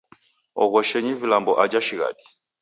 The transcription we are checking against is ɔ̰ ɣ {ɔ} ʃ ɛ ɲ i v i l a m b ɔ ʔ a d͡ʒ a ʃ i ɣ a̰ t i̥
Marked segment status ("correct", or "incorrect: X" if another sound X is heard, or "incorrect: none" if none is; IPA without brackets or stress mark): correct